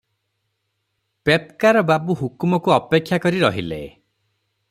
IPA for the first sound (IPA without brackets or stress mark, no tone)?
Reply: p